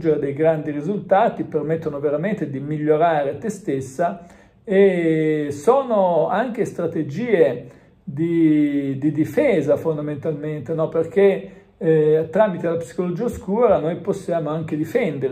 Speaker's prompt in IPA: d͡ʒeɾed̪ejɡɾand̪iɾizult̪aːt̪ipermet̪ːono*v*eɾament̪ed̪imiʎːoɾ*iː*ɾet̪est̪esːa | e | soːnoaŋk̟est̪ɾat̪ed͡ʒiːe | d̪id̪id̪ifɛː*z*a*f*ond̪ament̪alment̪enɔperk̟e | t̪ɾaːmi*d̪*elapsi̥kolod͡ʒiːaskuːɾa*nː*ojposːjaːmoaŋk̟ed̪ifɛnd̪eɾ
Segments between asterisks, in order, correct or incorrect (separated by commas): correct, incorrect, correct, correct, incorrect, incorrect